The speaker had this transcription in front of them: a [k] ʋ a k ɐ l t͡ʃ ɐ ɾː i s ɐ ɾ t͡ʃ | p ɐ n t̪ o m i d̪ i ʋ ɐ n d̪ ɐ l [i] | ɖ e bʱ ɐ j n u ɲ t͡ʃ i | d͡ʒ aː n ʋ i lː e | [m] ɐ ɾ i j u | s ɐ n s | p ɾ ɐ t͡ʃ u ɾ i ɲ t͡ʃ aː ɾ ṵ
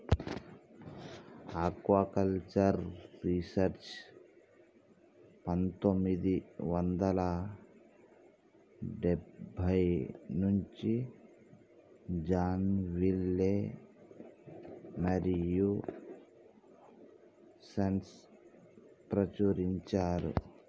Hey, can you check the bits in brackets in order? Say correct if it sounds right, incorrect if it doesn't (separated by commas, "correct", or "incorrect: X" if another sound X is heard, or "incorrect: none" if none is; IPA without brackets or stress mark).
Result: correct, incorrect: a, correct